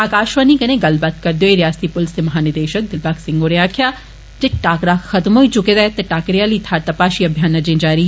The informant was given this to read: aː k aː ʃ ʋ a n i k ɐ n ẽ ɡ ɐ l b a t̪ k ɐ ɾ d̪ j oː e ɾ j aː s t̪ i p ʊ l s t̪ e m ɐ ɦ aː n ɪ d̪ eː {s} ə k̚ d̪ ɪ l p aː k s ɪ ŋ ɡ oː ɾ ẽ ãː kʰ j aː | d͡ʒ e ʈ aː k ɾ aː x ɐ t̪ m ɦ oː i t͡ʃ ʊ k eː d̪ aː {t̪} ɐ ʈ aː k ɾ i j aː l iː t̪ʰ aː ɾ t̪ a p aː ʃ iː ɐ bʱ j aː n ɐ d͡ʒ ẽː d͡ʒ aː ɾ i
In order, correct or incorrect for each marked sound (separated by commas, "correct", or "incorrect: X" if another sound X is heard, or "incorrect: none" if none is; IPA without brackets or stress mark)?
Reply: incorrect: ʃ, correct